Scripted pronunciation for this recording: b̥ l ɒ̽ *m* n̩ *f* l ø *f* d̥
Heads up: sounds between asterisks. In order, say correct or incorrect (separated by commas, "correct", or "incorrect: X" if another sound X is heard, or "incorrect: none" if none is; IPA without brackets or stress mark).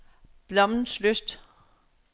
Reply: correct, incorrect: s, incorrect: s